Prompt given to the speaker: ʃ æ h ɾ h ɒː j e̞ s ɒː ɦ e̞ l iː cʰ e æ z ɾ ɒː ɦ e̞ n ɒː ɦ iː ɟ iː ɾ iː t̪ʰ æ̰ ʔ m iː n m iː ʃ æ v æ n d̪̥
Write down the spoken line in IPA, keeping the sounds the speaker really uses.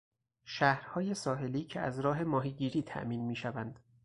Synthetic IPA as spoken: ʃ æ h ɾ h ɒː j e̞ s ɒː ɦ e̞ l iː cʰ e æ z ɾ ɒː ɦ e̞ m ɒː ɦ iː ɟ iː ɾ iː t̪ʰ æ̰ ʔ m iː n m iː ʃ æ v æ n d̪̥